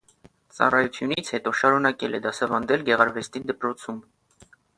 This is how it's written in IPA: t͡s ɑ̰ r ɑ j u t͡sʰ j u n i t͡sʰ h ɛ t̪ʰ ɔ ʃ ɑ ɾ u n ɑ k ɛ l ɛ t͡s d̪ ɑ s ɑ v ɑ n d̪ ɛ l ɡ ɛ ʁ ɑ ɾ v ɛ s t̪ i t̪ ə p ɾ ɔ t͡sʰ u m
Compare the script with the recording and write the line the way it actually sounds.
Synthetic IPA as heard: t͡s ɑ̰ r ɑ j u t͡sʰ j u n i t͡sʰ h ɛ t̪ ɔ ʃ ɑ ɾ u n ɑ k ɛ l ɛ d̪ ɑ s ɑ v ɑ n d̪ ɛ l ɡ ɛ ʁ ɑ ɾ v ɛ s t̪ i d̪ ə p ɾ ɔ t͡sʰ u m

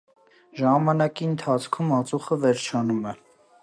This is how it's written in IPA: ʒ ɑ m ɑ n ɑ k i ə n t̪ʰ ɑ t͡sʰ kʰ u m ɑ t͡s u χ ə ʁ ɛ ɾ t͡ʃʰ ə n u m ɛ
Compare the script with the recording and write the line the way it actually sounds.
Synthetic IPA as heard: ʒ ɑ m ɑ n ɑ k i ə n t̪ʰ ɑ t͡sʰ kʰ u m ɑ t͡s u χ ə v ɛ ɾ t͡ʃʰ ɑ n u m ɛ

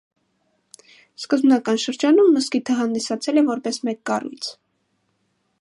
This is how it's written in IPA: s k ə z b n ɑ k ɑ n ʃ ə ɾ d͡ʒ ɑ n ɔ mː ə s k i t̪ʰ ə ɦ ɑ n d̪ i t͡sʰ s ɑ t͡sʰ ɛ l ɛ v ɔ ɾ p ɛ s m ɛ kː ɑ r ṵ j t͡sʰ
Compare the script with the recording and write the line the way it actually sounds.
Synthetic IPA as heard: s k ə z b n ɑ k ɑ n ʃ ə ɾ d͡ʒ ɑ n u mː ə s k i t̪ʰ ə ɦ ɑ n d̪ i s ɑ t͡sʰ ɛ l ɛ v ɔ ɾ p ɛ s m ɛ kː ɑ r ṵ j t͡sʰ

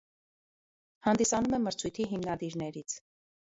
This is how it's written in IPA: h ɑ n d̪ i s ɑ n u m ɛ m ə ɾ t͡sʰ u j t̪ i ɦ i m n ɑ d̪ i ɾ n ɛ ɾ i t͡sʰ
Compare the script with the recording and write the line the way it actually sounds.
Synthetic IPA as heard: h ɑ n d̪ i s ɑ n u m ɛ m ə ɾ t͡sʰ u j t̪ʰ i ɦ i m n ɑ d̪ i ɾ n ɛ ɾ i t͡sʰ

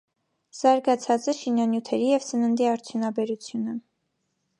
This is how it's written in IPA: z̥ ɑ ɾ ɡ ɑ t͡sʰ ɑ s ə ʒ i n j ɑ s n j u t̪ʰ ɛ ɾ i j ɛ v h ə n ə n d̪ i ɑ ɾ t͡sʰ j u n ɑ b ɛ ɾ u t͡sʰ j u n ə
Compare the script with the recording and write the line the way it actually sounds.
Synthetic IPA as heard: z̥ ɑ ɾ ɡ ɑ t͡sʰ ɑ t͡s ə ʃ i n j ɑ n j u t̪ʰ ɛ ɾ i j ɛ v s ə n ə n d̪ i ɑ ɾ t͡sʰ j u n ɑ b ɛ ɾ u t͡sʰ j u n ə

